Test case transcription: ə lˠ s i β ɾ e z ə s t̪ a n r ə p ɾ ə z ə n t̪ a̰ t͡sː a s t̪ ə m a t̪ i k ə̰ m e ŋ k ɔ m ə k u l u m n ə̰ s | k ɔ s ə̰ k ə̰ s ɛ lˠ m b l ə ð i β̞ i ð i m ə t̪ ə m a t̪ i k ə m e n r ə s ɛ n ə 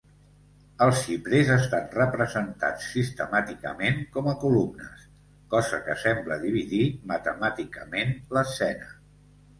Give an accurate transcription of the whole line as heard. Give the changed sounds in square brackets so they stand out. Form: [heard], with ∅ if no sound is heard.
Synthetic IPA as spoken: ə lˠ s i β ɾ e z ə s t̪ a n r ə p ɾ ə z ə n t̪ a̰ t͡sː [i] s t̪ ə m a t̪ i k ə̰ m e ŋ k ɔ m ə k u l u m n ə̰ s | k ɔ [z] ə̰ k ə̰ s ɛ [∅] m b l ə ð i β̞ i ð i m ə t̪ ə m a t̪ i k ə m e n [l] ə s ɛ n ə

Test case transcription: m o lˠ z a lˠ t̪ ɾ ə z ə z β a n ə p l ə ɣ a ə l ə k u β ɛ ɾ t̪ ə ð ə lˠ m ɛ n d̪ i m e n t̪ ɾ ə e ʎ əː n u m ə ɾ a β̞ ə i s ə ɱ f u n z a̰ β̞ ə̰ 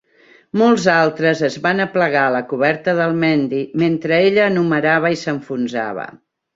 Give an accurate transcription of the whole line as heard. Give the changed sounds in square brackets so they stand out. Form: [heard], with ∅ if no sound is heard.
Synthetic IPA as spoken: m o lˠ z a lˠ t̪ ɾ ə z ə z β a n ə p l ə ɣ a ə l ə k u β ɛ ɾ t̪ ə ð ə lˠ m ɛ n d̪ i m e n t̪ ɾ ə e ʎ əː n u m ə ɾ a β̞ ə i s ə ɱ f u n z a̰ β̞ ə̰

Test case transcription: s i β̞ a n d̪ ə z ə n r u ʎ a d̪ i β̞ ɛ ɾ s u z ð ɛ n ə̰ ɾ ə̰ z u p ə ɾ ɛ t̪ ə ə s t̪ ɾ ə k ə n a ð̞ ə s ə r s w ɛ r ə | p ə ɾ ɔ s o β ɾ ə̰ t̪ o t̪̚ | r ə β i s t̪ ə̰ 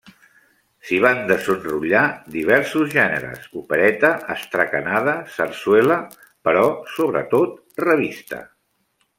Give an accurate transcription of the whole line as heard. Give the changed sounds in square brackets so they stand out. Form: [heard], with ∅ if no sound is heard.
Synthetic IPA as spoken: s i β̞ a n d̪ ə z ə n r u ʎ a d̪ i β̞ ɛ ɾ s u z [ʒ] ɛ n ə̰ ɾ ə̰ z u p ə ɾ ɛ t̪ ə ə s t̪ ɾ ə k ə n a ð̞ ə s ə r s w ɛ [l] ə | p ə ɾ ɔ s o β ɾ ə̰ t̪ o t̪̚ | r ə β i s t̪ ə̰

